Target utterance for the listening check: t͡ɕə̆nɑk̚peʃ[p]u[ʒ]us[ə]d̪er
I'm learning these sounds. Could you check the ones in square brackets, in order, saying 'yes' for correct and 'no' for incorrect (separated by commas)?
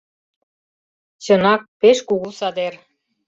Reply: no, no, no